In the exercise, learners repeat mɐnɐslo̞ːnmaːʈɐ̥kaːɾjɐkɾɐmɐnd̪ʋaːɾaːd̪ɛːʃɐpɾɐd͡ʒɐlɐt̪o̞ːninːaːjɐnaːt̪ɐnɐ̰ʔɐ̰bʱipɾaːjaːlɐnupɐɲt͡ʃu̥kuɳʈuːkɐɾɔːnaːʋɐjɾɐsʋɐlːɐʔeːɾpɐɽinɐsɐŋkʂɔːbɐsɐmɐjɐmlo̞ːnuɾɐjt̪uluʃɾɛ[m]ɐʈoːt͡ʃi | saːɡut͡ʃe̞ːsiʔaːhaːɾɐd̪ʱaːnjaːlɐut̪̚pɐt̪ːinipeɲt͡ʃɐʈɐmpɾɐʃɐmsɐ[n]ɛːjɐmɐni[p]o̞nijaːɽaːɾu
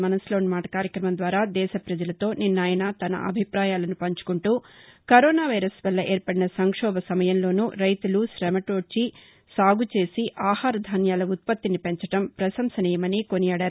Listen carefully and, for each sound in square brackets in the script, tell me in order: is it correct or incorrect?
correct, correct, incorrect

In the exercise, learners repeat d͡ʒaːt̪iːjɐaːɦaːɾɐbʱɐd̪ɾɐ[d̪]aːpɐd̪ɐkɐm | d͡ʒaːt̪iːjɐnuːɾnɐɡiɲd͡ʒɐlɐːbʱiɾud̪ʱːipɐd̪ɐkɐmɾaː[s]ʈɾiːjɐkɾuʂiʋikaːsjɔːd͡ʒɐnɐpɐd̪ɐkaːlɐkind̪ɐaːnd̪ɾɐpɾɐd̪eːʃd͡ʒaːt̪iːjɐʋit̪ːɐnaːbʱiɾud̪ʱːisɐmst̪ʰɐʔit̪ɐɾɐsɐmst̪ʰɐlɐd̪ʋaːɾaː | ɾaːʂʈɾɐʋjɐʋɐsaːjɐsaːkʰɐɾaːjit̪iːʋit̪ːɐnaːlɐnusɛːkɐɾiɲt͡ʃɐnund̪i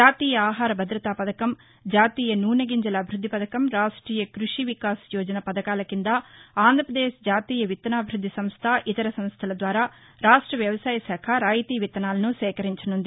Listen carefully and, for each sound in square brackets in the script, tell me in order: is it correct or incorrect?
incorrect, incorrect

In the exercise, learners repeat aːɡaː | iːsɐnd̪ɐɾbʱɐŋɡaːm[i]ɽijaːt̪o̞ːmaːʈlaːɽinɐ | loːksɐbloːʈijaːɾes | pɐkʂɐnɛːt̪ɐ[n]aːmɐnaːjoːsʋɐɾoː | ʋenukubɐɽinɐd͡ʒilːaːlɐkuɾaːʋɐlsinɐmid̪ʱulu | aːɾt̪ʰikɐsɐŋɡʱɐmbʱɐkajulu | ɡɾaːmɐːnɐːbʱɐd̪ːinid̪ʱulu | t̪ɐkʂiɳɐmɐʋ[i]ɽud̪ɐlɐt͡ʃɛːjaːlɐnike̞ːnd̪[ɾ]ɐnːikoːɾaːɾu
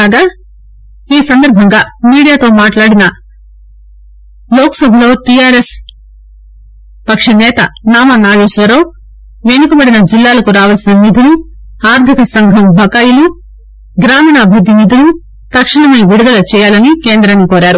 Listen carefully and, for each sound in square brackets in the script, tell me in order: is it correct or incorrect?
incorrect, correct, correct, correct

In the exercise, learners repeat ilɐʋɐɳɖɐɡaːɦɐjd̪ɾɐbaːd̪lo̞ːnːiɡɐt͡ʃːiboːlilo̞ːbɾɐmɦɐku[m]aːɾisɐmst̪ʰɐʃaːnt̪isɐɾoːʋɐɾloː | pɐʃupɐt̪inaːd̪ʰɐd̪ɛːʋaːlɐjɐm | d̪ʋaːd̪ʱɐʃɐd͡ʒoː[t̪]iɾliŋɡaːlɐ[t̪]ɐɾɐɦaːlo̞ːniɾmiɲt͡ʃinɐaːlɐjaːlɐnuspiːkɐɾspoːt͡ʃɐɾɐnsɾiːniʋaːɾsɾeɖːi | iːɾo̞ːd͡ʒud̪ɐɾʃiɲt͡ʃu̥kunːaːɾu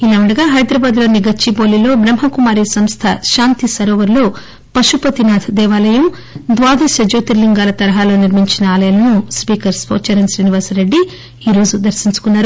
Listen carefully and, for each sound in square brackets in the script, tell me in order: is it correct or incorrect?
correct, correct, correct

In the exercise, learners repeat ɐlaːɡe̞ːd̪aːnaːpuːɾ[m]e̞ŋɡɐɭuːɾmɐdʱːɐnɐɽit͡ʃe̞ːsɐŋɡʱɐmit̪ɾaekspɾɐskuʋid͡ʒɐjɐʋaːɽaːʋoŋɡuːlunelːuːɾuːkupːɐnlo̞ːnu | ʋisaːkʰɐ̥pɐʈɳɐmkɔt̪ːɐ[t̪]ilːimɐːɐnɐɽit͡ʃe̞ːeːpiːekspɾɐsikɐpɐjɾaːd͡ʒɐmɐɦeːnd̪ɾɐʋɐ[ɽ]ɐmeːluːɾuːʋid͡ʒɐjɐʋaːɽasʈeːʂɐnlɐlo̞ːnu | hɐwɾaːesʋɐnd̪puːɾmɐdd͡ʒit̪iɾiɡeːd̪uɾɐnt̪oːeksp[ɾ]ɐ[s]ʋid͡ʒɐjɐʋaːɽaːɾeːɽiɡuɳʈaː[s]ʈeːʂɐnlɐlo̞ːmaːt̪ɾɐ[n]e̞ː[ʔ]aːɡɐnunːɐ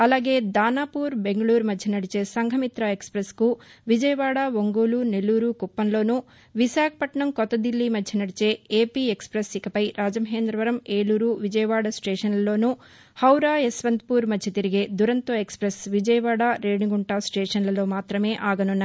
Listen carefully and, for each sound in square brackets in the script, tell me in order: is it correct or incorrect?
incorrect, incorrect, incorrect, correct, correct, correct, incorrect, correct

